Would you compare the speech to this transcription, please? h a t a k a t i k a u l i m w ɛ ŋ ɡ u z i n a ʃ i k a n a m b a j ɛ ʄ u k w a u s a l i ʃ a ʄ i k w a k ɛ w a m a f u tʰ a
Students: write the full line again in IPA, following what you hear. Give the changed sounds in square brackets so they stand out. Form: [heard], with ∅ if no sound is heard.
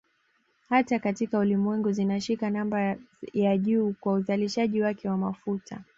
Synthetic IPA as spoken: h a t a k a t i k a u l i m w ɛ ŋ ɡ u z i n a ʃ i k a n a m b a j [a] ʄ [uː] k w a u [z] a l i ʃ a ʄ i [∅] w a k ɛ w a m a f u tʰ a